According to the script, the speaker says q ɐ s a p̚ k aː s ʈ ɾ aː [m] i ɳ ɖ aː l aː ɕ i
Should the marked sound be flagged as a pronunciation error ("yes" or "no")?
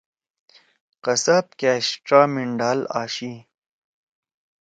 no